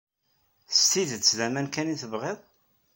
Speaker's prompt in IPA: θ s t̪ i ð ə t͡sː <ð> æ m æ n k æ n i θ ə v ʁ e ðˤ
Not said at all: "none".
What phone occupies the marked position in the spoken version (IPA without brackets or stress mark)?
ð